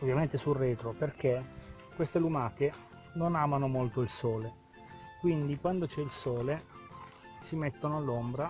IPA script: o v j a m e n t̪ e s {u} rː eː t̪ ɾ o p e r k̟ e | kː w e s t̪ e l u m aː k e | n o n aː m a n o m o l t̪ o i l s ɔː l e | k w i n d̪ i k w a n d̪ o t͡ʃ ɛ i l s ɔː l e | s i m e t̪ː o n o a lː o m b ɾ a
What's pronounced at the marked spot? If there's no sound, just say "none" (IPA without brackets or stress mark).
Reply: u